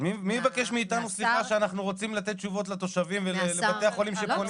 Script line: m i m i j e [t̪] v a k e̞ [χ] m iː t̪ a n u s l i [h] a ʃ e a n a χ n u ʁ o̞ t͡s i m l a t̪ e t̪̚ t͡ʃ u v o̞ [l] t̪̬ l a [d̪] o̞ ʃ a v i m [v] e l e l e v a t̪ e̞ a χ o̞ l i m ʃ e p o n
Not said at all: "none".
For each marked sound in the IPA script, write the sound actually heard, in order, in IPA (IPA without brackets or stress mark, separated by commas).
none, ʃ, χ, none, t̪, v